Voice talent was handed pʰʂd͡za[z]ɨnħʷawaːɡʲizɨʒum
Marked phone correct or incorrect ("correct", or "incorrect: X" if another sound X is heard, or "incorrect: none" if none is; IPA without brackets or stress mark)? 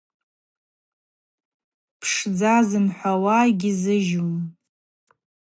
correct